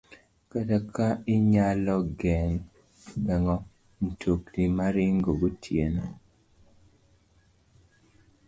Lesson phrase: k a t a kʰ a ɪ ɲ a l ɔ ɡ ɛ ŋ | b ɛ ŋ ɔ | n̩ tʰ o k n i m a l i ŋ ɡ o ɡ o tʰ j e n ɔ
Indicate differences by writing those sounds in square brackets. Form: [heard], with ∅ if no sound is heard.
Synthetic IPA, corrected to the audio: k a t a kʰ a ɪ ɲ a l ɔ ɡ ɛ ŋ | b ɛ ŋ ɔ | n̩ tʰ o k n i m a [ɾ] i ŋ ɡ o ɡ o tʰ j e n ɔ

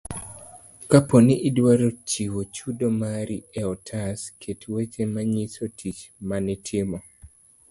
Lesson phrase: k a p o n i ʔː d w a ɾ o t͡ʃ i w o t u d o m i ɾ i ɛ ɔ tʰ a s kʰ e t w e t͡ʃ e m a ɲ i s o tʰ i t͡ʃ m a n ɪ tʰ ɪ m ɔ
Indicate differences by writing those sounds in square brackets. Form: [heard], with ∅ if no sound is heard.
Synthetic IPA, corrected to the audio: k a p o n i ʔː d w a ɾ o t͡ʃ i w o [t͡ʃ] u d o m [a] ɾ i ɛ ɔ tʰ a s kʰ e t w e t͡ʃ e m a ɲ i s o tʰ i t͡ʃ m a n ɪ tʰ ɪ m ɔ

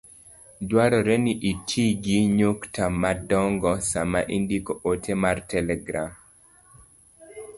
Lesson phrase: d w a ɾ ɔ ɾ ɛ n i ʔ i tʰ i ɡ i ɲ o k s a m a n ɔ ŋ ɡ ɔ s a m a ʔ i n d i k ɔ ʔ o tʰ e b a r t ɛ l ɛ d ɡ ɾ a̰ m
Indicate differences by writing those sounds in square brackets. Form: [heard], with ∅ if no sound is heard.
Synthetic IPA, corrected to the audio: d w a ɾ ɔ ɾ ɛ n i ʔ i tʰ i ɡ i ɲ o k [t] a m a [d] ɔ ŋ ɡ ɔ s a m a ʔ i n d i k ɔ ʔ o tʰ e [m] a r t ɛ l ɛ [∅] ɡ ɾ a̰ m

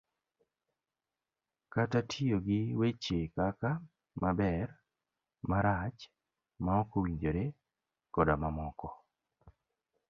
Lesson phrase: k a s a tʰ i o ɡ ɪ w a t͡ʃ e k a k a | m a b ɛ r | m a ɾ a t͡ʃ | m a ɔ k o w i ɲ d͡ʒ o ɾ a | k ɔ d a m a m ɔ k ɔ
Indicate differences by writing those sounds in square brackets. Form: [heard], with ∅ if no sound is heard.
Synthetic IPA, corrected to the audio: k a [t] a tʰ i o ɡ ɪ w [e] t͡ʃ e k a k a | m a b ɛ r | m a ɾ a t͡ʃ | m a ɔ k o w i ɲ d͡ʒ o ɾ [e] | k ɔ d a m a m ɔ k ɔ

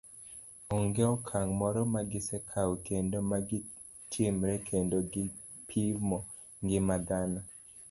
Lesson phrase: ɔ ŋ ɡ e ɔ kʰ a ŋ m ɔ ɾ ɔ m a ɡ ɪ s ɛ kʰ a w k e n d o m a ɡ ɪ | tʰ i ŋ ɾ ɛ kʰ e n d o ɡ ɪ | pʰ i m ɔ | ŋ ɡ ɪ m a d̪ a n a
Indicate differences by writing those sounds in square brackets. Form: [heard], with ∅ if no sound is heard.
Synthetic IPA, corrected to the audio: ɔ ŋ ɡ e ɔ kʰ a ŋ m ɔ ɾ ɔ m a ɡ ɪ s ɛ kʰ a w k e n d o m a ɡ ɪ | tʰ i [m] ɾ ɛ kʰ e n d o ɡ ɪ | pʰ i m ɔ | ŋ ɡ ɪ m a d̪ a n a

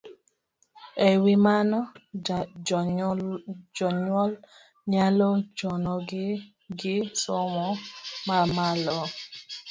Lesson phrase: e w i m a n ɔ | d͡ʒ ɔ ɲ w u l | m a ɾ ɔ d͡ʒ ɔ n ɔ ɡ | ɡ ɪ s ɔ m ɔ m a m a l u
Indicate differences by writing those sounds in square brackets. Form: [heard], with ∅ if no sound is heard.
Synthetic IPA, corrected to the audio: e w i m a n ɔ | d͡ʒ ɔ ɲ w [ɔ] l | [ɲ] a [l] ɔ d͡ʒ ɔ n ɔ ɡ | ɡ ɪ s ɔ m ɔ m a m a l [ɔ]

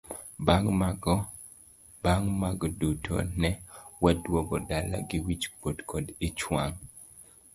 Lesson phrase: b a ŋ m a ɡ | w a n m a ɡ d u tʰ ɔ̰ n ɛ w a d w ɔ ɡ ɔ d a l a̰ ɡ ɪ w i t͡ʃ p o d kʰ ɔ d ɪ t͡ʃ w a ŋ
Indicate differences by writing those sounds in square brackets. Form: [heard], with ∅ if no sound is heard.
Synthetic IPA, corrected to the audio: b a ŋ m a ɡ | [b] a [ŋ] m a ɡ d u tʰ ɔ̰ n ɛ w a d w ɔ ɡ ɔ d a l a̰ ɡ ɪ w i t͡ʃ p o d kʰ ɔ d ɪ t͡ʃ w a ŋ

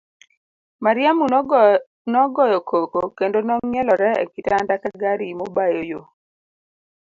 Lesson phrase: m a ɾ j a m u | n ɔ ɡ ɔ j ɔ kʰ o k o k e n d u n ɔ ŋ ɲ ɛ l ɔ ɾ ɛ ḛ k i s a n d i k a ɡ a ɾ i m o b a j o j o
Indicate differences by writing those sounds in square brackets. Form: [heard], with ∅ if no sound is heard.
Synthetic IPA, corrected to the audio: m a ɾ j a m u | n ɔ ɡ ɔ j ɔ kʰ o k o k e n d [o] n ɔ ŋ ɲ ɛ l ɔ ɾ ɛ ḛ k i [t] a n d [a] k a ɡ a ɾ i m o b a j o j o

